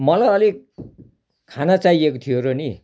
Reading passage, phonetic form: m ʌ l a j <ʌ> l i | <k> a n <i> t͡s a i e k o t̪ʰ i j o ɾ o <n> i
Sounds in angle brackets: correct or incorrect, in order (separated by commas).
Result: correct, incorrect, incorrect, correct